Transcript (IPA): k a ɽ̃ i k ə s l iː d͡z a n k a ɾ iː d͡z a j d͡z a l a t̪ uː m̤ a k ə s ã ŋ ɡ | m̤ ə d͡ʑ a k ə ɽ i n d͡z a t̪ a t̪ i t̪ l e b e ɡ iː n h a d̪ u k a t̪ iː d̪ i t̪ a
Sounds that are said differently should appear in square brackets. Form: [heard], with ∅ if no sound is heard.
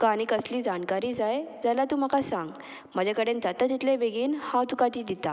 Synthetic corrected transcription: k a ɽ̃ i k ə s l iː d͡z a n k a ɾ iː d͡z a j d͡z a l a t̪ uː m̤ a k [a] s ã ŋ ɡ | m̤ ə d͡ʑ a k ə ɽ [e] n d͡z a t̪ a t̪ i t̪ l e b e ɡ iː n h a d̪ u k a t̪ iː d̪ i t̪ a